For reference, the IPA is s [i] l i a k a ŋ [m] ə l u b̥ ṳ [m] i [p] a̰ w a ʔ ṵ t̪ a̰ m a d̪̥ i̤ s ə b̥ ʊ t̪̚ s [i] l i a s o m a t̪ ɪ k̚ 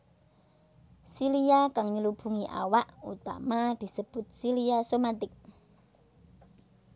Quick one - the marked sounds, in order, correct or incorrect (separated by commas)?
correct, incorrect, incorrect, incorrect, correct